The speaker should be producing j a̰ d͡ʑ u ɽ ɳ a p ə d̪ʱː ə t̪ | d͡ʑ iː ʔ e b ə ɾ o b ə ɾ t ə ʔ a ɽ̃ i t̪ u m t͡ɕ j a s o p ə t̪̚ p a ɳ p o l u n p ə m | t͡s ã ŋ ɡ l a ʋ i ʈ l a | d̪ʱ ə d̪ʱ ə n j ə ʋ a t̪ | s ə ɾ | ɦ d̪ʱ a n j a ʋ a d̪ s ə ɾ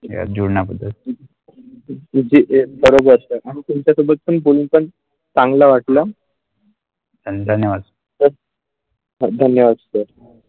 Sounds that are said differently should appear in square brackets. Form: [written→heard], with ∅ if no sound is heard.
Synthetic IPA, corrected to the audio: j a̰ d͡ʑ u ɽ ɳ a p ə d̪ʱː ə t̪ | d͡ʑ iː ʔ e b ə ɾ o b ə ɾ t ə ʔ a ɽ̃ i t̪ u m t͡ɕ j a s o [p→b] ə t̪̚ p [a→ə] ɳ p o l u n p ə [m→ɳ] | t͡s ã ŋ ɡ l a ʋ [i→a] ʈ l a | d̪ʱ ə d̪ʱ ə n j ə ʋ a [t̪→d̪] | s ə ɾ | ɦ d̪ʱ [a→ə] n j [a→ə] ʋ a d̪ s ə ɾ

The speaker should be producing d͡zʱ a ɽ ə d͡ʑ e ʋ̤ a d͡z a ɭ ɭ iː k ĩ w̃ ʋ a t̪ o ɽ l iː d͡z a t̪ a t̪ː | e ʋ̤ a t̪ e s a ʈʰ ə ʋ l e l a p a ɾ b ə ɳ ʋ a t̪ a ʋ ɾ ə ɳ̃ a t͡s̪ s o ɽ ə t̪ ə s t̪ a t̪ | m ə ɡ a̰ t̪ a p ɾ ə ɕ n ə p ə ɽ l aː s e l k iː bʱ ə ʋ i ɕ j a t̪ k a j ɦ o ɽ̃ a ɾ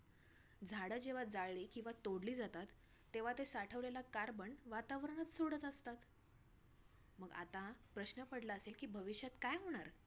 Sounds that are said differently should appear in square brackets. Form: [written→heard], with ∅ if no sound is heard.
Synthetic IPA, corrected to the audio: d͡zʱ a ɽ ə d͡ʑ e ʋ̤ a d͡z a ɭ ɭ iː k ĩ w̃ ʋ a t̪ o ɽ l iː d͡z a t̪ a t̪ː | e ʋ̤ a t̪ e s a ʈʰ ə ʋ l e l a [p→k] a ɾ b ə ɳ ʋ a t̪ a ʋ ɾ ə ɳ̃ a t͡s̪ s o ɽ ə t̪ ə s t̪ a t̪ | m ə ɡ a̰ t̪ a p ɾ ə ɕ n ə p ə ɽ l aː s e l k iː bʱ ə ʋ i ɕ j a t̪ k a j ɦ o ɽ̃ a ɾ

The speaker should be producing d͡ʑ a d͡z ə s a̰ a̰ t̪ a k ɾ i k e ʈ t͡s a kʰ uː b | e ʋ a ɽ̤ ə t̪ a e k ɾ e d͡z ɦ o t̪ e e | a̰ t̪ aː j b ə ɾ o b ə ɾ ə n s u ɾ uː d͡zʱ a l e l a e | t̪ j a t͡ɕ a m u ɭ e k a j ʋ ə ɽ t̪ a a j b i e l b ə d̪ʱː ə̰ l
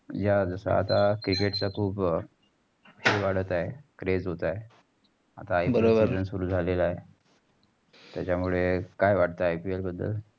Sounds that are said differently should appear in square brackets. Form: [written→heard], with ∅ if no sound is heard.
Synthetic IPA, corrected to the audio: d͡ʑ a d͡z ə s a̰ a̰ t̪ a k ɾ i k e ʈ t͡s a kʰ uː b | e ʋ a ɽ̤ ə t̪ a e k ɾ e d͡z ɦ o t̪ [e→a] e | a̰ t̪ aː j b ə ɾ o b ə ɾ ə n s u ɾ uː d͡zʱ a l e l a e | t̪ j a t͡ɕ a m u ɭ e k a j ʋ [ə→a] ɽ t̪ a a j [b→p] i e l b ə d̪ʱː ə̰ l

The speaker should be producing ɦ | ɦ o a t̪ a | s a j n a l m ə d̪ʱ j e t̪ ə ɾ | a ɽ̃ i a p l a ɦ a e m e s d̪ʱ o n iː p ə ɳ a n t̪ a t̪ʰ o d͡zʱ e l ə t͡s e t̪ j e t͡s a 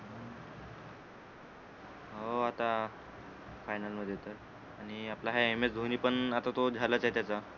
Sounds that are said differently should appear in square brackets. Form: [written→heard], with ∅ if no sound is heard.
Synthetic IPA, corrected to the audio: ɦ | ɦ o a t̪ a | [s→f] a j n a l m ə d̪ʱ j e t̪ ə ɾ | a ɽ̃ i a p l a ɦ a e m e s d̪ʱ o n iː p ə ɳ a [n→∅] t̪ a [t̪ʰ→t̪] o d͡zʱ [e→a] l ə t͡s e t̪ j [e→a] t͡s a

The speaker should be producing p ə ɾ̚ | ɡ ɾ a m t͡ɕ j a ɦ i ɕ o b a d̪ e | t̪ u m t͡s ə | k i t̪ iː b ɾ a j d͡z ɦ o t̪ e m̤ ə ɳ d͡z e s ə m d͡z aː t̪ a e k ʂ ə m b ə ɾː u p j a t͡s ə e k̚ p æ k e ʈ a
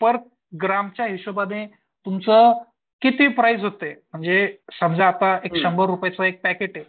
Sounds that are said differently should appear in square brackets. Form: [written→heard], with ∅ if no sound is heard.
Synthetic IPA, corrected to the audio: p ə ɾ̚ | ɡ ɾ a m t͡ɕ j a ɦ i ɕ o b a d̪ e | t̪ u m t͡s ə | k i t̪ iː [b→p] ɾ a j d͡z ɦ o t̪ e m̤ ə ɳ d͡z e s ə m d͡z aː t̪ a e k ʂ ə m b ə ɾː u p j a t͡s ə e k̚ p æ k e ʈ [a→e]

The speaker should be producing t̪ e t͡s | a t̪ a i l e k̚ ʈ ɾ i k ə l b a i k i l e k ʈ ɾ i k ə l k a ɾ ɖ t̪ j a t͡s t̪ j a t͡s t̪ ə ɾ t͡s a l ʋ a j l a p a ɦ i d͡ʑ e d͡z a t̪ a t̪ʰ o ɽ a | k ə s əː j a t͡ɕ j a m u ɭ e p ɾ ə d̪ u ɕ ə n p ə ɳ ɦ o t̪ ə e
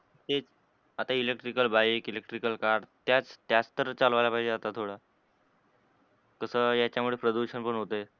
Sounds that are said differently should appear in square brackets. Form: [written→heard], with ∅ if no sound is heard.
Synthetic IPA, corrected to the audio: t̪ e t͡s | a t̪ a i l e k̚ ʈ ɾ i k ə l b a i k i l e k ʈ ɾ i k ə l k a ɾ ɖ t̪ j a t͡s t̪ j a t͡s t̪ ə ɾ t͡s a l ʋ a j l a p a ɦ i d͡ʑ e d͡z a t̪ a t̪ʰ o ɽ a | k ə s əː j a t͡ɕ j a m u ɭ e p ɾ ə d̪ u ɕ ə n p ə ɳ ɦ o t̪ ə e

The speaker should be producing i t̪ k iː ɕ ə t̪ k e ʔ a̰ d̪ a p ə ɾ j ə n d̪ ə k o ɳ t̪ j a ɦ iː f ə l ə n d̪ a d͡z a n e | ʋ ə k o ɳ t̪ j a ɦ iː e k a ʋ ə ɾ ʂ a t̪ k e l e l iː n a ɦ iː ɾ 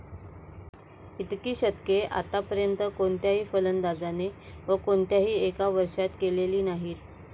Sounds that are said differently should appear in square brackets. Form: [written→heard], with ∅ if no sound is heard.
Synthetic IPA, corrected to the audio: i t̪ k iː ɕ ə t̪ k e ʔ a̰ [d̪→t̪] a p ə ɾ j ə n [d̪→t̪] ə k o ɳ t̪ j a ɦ iː f ə l ə n d̪ a d͡z a n e | ʋ ə k o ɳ t̪ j a ɦ iː e k a ʋ ə ɾ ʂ a t̪ k e l e l iː n a ɦ iː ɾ

